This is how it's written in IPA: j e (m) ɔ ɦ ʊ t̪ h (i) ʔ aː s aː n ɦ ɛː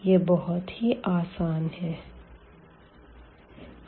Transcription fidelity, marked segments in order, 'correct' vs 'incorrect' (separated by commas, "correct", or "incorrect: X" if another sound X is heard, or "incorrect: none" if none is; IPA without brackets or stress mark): incorrect: b, correct